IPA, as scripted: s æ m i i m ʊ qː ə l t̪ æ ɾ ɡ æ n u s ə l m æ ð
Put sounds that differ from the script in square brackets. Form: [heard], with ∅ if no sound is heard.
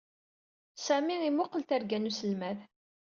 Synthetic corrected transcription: s æ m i i m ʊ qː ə l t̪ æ ɾ ɡ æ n u s ə l m æ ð